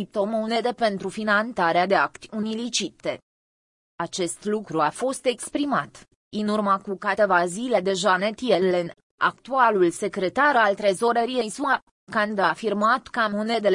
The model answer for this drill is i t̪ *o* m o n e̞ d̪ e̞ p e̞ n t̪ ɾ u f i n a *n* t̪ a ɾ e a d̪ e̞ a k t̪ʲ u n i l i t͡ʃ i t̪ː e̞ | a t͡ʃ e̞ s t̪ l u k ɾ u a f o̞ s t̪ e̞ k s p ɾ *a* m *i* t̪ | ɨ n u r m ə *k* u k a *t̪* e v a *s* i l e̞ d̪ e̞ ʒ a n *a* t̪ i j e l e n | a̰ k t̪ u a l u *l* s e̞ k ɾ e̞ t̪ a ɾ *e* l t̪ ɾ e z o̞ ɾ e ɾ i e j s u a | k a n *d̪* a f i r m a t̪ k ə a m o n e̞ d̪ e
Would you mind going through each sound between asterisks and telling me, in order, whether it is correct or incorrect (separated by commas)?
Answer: correct, correct, incorrect, incorrect, correct, correct, incorrect, incorrect, correct, incorrect, correct